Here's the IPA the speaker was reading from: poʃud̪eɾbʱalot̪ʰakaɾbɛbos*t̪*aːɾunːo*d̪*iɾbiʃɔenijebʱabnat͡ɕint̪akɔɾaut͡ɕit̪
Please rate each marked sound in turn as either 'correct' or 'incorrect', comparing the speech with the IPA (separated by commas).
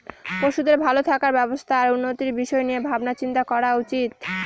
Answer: incorrect, incorrect